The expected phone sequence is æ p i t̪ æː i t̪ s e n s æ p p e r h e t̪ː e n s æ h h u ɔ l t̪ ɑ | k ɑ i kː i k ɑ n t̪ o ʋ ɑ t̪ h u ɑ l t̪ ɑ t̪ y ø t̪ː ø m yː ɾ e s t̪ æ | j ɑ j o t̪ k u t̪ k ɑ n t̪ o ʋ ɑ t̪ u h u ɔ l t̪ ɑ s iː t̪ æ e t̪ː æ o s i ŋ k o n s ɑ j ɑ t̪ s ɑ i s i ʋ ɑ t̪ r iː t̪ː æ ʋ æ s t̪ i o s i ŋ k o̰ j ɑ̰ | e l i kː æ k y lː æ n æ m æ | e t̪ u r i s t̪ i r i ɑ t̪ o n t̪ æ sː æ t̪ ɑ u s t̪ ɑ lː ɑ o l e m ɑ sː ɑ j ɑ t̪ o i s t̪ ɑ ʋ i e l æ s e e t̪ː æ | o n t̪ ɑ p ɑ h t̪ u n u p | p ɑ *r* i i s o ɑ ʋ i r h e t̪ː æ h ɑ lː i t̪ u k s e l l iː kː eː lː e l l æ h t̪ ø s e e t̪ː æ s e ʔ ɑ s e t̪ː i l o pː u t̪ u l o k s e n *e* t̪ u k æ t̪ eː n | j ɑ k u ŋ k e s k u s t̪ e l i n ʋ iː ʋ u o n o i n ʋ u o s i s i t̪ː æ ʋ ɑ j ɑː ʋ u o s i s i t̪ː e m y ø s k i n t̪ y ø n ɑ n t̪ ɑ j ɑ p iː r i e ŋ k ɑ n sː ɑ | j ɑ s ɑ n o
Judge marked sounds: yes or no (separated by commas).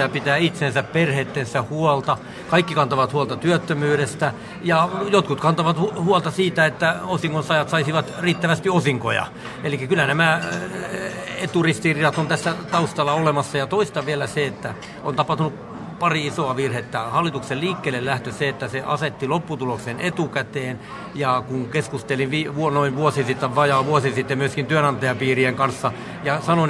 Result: yes, yes